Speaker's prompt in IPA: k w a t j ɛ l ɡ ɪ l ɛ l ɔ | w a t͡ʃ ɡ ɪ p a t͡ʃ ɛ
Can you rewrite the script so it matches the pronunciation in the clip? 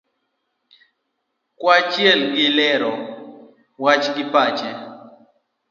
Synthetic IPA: k w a t͡ʃ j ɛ l ɡ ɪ l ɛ ɾ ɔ | w a t͡ʃ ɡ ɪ p a t͡ʃ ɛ